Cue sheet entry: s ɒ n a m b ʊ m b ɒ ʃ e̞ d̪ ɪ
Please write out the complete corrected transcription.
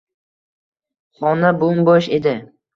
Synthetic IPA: χ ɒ n a b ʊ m b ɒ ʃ e̞ d̪ ɪ